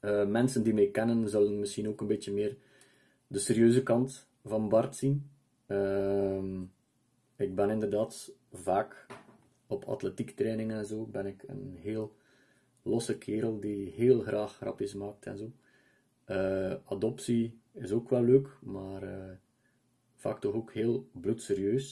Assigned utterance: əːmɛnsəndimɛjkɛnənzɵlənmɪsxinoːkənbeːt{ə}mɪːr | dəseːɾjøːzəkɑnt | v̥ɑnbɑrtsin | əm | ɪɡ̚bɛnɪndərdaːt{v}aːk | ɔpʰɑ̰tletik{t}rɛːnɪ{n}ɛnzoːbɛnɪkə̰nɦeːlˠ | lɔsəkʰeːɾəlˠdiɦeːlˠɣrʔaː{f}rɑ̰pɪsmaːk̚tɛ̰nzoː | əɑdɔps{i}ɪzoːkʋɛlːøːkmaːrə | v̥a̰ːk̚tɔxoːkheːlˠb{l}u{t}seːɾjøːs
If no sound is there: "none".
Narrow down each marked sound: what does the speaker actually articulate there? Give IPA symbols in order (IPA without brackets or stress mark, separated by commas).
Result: ə, v, t, ŋ, x, i, l, t